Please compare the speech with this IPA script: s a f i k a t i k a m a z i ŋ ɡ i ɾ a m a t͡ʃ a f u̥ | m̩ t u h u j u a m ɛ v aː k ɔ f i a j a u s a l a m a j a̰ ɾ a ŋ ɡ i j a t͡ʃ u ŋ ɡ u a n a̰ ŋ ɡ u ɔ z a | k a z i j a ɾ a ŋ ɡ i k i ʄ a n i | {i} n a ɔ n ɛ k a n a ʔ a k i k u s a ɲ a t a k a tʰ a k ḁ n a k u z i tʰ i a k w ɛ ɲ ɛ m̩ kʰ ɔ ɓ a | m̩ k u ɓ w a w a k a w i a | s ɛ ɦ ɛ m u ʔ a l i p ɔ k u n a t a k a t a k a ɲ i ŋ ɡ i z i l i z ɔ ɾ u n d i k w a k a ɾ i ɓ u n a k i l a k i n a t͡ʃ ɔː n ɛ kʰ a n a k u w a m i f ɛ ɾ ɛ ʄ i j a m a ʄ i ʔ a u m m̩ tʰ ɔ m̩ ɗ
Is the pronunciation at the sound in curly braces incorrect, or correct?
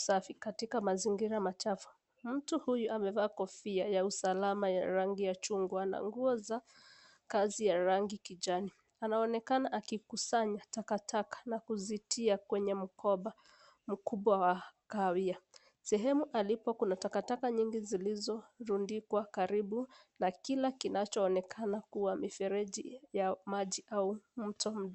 incorrect